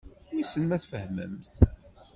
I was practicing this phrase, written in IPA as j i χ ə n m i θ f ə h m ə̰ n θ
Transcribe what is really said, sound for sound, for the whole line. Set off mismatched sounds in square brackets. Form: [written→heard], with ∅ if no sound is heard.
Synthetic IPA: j i [χ→s] ə n m [i→æ] θ f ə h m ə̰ [n→m] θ